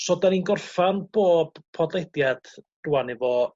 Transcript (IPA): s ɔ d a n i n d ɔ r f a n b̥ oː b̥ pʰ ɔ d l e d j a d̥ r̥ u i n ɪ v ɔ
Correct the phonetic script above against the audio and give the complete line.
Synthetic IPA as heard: s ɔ d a n i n ɡ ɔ r f a n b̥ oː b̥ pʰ ɔ d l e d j a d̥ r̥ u a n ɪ v ɔ